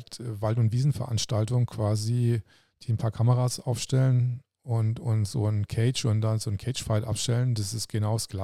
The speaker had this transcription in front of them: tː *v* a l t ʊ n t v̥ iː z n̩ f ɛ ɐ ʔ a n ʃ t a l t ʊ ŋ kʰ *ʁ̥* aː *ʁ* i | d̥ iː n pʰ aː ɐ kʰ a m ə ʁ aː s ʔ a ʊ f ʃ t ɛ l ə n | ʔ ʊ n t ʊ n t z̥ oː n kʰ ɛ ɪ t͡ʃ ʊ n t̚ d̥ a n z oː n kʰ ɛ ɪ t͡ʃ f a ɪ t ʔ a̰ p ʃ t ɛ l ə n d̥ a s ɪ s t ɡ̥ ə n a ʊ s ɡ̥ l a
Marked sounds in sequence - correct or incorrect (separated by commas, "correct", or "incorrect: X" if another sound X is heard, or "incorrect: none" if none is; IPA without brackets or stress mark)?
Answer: correct, incorrect: v̥, incorrect: z